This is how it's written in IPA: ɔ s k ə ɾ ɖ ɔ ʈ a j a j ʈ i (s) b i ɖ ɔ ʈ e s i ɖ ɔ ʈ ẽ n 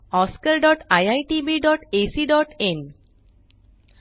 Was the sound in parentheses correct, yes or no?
no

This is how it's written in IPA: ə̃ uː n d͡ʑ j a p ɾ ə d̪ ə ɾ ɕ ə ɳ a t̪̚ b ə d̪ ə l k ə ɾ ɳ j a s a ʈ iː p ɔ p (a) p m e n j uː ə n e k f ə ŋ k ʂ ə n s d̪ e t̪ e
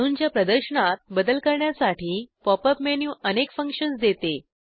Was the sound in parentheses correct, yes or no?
no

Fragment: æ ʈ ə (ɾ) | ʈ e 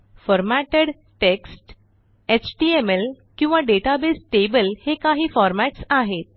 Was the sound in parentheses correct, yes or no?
no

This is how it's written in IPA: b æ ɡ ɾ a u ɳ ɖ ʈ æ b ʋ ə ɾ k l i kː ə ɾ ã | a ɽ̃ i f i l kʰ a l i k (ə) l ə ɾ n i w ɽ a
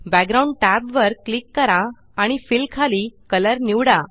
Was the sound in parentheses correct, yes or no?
yes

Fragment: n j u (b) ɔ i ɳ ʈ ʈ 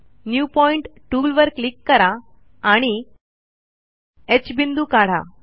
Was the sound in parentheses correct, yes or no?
no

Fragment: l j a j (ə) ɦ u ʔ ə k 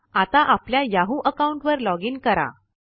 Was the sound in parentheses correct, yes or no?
no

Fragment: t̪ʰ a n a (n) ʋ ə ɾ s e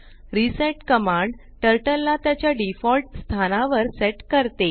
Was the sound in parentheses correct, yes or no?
no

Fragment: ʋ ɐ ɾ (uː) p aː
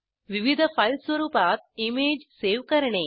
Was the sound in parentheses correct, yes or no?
yes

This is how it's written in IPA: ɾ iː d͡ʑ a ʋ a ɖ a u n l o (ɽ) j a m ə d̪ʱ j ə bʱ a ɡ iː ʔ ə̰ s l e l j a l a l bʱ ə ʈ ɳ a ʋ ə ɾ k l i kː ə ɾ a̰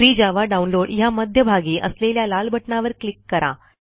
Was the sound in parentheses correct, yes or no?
yes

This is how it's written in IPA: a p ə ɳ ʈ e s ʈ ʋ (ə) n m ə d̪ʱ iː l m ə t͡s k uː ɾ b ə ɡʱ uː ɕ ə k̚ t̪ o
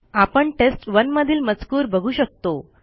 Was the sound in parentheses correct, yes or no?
yes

